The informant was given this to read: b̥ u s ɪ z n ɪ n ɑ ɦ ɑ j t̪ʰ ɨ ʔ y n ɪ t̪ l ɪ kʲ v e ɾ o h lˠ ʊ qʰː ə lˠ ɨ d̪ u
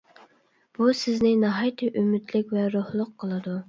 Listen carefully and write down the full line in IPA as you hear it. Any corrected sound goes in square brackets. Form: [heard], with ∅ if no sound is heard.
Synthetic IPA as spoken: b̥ u s ɪ z n ɪ n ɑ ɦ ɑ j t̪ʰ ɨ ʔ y [m] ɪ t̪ l ɪ kʲ v [ɛ] ɾ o h lˠ ʊ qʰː ə lˠ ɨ d̪ u